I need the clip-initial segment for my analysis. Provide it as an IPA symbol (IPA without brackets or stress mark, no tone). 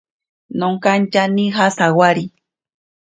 n